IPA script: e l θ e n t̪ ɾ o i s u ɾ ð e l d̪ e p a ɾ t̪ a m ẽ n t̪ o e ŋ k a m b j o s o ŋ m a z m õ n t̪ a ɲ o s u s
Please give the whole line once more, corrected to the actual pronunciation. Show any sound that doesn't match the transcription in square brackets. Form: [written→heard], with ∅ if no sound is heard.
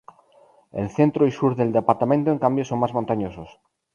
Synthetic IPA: e l θ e n t̪ ɾ o i s u ɾ ð e l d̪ e p a ɾ t̪ a m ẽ n t̪ o e ŋ k a m b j o s o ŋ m a z m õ n t̪ a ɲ o s [u→o] s